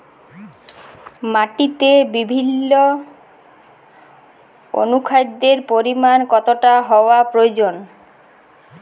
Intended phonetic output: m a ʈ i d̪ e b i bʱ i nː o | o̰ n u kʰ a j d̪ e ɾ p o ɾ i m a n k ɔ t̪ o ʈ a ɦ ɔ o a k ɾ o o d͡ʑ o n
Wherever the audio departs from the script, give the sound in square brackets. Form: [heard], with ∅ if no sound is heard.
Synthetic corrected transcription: m a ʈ i [t̪] e b i bʱ i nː o | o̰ n u kʰ a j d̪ e ɾ p o ɾ i m a n k ɔ t̪ o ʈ a ɦ ɔ o a [p] ɾ o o d͡ʑ o n